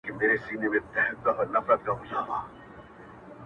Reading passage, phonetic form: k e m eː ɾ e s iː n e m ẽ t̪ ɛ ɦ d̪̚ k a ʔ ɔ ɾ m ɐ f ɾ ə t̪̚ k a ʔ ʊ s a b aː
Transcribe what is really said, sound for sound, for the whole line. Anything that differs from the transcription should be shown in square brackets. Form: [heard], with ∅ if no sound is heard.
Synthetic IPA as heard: k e m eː ɾ e s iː n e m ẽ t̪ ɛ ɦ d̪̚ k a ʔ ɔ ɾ [n] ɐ f ɾ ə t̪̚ k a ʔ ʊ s a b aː